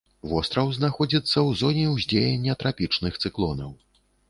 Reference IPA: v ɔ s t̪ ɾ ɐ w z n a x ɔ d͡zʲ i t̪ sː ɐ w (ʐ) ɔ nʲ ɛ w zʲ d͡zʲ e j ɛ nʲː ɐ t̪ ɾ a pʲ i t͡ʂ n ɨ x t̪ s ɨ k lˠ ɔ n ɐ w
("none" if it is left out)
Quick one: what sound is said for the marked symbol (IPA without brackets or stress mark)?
z